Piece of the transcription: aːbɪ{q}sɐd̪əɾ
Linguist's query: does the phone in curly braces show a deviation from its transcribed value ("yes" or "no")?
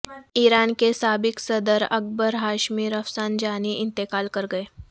yes